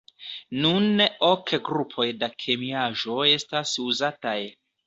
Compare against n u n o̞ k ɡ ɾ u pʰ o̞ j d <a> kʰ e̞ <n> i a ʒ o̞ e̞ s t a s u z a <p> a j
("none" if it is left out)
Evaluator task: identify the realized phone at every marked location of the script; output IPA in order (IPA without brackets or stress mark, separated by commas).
a, m, t